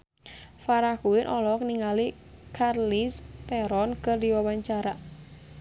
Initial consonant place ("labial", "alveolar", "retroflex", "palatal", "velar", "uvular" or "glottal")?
labial